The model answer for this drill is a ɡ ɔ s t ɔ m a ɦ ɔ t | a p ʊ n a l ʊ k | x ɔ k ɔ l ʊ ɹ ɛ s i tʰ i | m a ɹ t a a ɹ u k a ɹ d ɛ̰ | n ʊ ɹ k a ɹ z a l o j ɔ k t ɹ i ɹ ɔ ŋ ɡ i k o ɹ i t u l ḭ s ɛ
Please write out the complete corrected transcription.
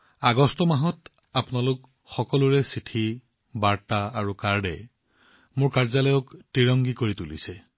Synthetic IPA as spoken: a ɡ ɔ s t ɔ m a ɦ ɔ t | a p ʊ n a l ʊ k | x ɔ k ɔ l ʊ ɹ ɛ s i tʰ i | b a ɹ t a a ɹ u k a ɹ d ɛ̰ | m ʊ ɹ k a ɹ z a l ɔ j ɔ k t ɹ i ɹ ɔ ŋ ɡ i k o ɹ i t u l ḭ s ɛ

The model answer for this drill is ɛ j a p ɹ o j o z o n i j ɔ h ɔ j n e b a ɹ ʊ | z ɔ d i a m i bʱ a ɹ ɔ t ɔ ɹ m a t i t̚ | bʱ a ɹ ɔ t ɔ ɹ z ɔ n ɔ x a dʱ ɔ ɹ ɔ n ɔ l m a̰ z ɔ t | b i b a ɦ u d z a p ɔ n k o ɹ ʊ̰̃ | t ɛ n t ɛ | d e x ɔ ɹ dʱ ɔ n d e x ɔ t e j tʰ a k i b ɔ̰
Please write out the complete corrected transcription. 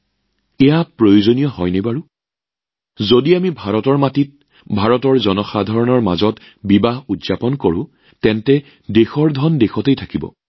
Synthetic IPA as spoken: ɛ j a p ɹ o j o z o n i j ɔ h ɔ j n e b a ɹ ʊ | z o d i a m i bʱ a ɹ ɔ t ɔ ɹ m a t i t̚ | bʱ a ɹ ɔ t ɔ ɹ z ɔ n ɔ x a dʱ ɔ ɹ ɔ n ɔ ɹ m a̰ z ɔ t | b i b a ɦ u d z a p ɔ n k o ɹ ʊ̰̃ | t ɛ n t ɛ | d e x ɔ ɹ dʱ ɔ n d e x ɔ t e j tʰ a k i b ɔ̰

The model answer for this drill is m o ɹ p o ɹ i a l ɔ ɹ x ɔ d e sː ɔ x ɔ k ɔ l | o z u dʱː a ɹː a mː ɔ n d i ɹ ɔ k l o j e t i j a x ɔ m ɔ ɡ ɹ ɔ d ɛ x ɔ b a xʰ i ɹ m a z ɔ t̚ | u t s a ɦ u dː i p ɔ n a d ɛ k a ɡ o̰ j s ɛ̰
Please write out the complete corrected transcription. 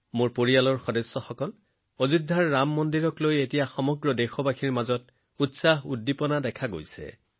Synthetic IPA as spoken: m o ɹ p o ɹ i a l ɔ ɹ x ɔ d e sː ɔ x ɔ k ɔ l | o z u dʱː a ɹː a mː ɔ n d i ɹ ɔ k l o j e t i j a x ɔ m ɔ ɡ ɹ ɔ d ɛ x ɔ b a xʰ i ɹ m a z ɔ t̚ | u t s a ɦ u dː i p ɔ n a d ɛ kʰ a ɡ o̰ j s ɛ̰

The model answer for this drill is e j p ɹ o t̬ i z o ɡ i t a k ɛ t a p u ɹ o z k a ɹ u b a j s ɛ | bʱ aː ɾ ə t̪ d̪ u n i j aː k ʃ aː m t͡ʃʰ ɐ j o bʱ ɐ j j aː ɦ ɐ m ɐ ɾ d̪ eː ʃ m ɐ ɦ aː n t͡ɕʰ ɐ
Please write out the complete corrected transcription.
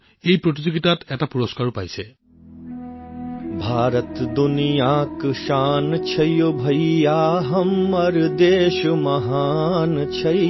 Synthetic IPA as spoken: e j p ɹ o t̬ i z o ɡ i t a t ɛ t a p u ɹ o s k a ɹ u p a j s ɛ | bʱ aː ɾ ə t̪ d̪ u n i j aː k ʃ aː n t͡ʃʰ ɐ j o bʱ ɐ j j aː ɦ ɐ m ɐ ɾ d̪ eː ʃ m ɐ ɦ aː n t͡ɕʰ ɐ

